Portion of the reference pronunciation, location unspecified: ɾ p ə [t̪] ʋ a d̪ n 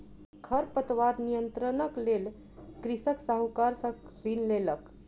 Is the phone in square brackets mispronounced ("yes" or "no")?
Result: no